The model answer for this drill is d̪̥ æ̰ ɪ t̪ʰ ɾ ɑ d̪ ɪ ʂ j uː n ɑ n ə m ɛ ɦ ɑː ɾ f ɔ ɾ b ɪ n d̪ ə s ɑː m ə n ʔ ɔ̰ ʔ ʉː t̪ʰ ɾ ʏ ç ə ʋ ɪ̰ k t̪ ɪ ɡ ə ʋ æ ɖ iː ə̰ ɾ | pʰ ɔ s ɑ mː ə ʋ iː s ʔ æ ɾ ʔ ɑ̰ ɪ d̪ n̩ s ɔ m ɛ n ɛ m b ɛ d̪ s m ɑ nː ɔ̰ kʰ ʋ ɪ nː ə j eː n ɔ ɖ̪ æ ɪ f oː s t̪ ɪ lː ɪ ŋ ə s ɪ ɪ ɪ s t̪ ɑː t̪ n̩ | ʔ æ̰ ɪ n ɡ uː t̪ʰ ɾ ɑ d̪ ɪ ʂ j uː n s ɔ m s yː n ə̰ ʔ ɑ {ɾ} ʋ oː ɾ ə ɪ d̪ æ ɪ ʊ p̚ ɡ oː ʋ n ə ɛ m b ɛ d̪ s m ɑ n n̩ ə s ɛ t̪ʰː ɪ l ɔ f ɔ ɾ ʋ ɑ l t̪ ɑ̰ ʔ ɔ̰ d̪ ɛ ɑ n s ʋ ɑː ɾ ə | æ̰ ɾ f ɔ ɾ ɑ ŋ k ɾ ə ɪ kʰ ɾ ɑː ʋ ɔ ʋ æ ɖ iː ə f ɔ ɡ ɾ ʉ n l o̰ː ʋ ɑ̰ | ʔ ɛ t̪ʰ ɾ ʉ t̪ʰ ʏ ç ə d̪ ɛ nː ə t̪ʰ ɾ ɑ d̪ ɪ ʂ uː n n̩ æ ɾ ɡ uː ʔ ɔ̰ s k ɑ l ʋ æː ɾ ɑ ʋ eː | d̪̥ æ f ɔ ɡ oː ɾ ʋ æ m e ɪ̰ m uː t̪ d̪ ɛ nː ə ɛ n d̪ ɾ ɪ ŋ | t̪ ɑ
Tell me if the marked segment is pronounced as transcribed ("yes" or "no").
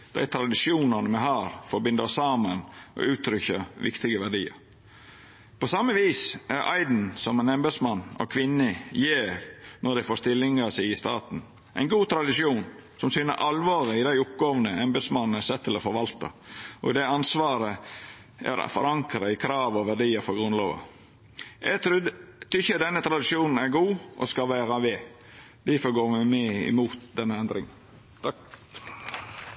no